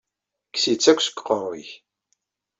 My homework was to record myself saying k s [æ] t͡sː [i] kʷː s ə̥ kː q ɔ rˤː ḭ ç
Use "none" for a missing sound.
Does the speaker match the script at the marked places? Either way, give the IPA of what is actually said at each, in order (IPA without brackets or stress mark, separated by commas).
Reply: i, æ